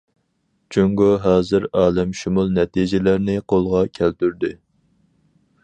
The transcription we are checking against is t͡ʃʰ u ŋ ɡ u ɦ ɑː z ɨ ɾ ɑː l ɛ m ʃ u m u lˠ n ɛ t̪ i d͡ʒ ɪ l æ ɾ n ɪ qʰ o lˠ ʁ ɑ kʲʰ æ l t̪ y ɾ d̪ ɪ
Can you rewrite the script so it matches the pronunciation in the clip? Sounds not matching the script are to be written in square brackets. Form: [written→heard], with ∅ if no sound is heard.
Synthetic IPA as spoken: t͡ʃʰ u ŋ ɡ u ɦ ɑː z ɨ ɾ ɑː l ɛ m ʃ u m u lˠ n ɛ t̪ i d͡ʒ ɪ l æ ɾ n ɪ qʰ o lˠ ʁ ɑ kʲʰ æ l t̪ y ɾ d̪ ɪ